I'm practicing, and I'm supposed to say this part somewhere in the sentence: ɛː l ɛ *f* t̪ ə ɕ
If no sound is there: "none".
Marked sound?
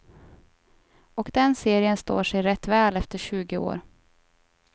f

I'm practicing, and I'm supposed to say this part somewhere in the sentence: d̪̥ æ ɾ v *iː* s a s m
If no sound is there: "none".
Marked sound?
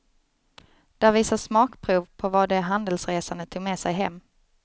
iː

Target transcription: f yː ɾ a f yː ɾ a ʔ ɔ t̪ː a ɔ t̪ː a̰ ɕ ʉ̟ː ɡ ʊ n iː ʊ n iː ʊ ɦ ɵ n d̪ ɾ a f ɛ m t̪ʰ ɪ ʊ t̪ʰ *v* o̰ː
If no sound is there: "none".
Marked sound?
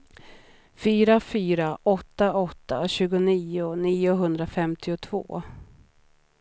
v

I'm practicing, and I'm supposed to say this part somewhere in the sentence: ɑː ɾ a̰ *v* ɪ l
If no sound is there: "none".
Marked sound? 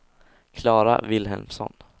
v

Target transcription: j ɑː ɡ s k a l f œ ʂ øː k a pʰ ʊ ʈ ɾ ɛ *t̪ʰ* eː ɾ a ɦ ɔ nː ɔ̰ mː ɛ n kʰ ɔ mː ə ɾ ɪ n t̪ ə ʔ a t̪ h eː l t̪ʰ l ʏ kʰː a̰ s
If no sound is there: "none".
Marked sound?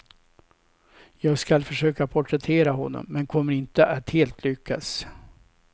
t̪ʰ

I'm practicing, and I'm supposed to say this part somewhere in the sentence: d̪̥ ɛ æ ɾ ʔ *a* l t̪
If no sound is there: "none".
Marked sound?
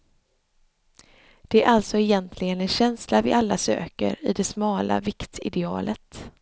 a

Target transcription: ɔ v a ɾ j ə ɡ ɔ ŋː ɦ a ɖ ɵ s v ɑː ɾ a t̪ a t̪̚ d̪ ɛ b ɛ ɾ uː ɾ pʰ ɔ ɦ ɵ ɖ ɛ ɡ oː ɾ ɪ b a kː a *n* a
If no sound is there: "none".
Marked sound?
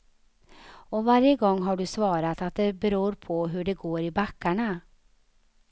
ɳ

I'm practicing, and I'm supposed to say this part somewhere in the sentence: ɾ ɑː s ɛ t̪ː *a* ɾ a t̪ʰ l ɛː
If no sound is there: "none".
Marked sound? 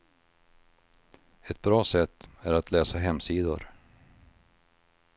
æ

